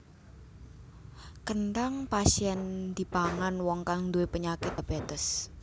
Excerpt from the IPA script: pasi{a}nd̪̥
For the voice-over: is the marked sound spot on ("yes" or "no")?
no